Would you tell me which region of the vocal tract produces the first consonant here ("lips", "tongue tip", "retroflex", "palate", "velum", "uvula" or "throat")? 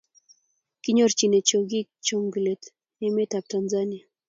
velum